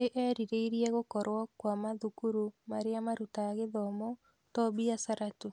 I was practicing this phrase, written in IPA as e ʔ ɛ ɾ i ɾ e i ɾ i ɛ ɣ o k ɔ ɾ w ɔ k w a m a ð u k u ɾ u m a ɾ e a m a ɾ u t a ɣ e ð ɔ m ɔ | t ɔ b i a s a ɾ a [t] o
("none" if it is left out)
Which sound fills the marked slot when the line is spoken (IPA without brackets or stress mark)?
t